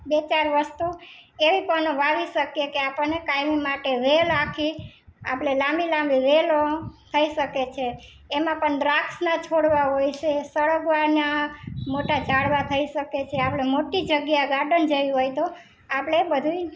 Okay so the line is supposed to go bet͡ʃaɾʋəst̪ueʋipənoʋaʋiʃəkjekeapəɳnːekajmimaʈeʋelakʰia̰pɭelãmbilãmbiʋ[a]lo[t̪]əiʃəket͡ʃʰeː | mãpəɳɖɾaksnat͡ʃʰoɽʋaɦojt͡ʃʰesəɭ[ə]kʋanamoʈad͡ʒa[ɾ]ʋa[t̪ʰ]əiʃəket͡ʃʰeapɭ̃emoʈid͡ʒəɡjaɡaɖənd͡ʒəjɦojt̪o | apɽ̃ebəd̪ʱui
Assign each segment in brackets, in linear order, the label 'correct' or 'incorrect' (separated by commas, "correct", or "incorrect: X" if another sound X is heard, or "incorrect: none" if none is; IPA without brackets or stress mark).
incorrect: e, incorrect: t̪ʰ, correct, incorrect: ɽ, correct